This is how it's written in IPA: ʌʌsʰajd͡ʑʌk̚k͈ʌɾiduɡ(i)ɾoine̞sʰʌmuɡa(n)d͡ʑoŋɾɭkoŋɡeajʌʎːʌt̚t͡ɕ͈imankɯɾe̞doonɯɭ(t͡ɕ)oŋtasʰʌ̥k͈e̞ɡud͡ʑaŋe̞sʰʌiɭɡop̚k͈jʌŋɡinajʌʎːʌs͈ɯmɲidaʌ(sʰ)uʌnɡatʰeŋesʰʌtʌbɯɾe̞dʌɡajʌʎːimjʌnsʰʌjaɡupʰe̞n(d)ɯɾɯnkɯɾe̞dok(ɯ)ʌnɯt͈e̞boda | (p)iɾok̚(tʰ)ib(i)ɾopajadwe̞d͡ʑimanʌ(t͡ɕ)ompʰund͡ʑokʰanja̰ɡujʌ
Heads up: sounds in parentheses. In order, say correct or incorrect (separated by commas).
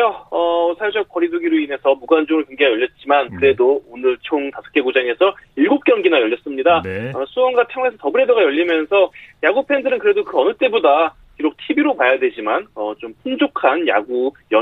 correct, correct, incorrect, correct, correct, correct, incorrect, correct, correct, correct